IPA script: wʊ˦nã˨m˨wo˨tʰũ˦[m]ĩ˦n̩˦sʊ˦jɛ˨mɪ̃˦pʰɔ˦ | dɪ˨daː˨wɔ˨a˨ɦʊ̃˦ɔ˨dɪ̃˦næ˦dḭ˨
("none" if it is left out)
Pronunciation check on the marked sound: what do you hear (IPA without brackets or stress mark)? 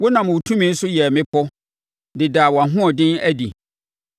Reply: m